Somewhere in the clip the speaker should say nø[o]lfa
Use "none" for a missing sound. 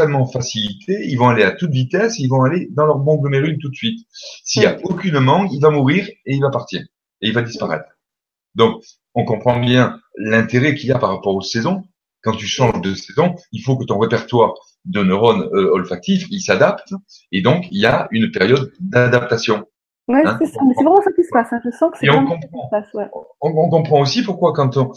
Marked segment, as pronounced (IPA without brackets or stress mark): ɔ